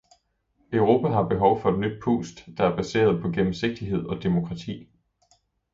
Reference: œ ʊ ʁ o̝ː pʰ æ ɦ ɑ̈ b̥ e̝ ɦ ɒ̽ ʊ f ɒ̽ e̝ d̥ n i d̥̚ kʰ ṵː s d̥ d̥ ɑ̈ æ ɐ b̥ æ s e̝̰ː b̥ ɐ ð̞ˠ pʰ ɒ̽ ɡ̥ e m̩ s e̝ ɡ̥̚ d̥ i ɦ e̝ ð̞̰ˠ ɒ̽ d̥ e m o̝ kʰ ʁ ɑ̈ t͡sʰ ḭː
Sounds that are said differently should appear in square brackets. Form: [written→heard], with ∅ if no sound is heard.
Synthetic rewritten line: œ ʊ ʁ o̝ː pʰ æ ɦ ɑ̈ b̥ e̝ ɦ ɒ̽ ʊ f ɒ̽ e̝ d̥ n [i→y] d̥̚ [kʰ→pʰ] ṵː s d̥ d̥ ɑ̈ æ ɐ b̥ æ s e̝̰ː [b̥→∅] ɐ ð̞ˠ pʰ ɒ̽ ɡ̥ e m̩ s e̝ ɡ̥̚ d̥ i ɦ e̝ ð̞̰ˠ ɒ̽ d̥ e m o̝ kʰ ʁ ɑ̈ t͡sʰ ḭː